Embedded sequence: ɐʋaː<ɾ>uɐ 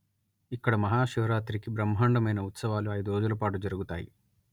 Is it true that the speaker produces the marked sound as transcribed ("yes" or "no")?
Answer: no